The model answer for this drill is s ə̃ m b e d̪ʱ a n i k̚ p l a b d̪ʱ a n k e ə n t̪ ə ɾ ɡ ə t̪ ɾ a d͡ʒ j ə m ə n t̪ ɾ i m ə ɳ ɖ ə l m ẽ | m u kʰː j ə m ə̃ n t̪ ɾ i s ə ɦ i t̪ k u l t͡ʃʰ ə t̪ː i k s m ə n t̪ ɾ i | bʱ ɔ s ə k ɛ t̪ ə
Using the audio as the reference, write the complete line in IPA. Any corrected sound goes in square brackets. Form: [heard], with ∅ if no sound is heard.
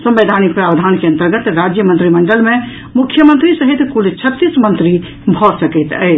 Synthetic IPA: s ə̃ m b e d̪ʱ a n i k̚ p [ɾ] a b d̪ʱ a n k e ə n t̪ ə ɾ ɡ ə t̪ ɾ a d͡ʒ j ə m ə n t̪ ɾ i m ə ɳ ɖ ə l m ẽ | m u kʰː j ə m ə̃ n t̪ ɾ i s ə ɦ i t̪ k u l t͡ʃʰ ə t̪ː i [∅] s m ə n t̪ ɾ i | bʱ ɔ s ə k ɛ t̪ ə